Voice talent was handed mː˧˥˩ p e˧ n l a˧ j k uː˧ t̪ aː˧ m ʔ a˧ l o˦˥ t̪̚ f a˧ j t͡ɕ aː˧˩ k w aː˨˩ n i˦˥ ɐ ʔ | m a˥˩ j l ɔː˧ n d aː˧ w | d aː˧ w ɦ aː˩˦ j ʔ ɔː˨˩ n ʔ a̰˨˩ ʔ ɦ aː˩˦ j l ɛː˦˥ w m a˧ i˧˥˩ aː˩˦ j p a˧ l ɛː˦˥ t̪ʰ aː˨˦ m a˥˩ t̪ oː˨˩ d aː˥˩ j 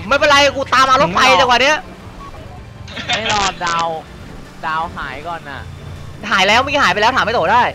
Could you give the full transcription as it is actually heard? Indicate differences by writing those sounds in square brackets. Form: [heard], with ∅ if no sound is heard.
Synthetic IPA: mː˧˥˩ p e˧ n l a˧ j k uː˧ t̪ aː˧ m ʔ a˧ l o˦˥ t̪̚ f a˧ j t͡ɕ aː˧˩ k w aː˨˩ n i˦˥ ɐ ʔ | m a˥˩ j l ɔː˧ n d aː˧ w | d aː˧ w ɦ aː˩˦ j [k] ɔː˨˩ n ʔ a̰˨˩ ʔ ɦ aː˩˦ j l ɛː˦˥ w m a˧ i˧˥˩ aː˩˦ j p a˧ l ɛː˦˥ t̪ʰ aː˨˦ m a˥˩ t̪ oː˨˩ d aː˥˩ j